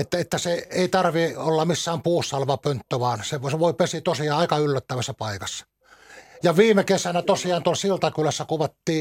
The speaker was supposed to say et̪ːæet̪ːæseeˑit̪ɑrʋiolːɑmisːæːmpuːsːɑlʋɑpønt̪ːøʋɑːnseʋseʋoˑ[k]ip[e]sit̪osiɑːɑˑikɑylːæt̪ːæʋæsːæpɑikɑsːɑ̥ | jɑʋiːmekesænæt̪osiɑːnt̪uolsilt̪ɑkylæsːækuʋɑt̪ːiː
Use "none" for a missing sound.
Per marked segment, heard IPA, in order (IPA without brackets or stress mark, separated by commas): none, e